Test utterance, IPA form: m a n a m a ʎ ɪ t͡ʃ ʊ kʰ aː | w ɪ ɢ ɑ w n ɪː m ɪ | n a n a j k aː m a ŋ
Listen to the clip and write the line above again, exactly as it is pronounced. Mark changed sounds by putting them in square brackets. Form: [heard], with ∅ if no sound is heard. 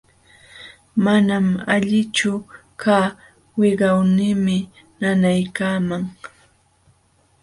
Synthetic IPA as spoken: m a n a m a ʎ ɪ t͡ʃ ʊ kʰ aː | w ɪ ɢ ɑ w n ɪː m ɪ | n a n a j k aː m a ŋ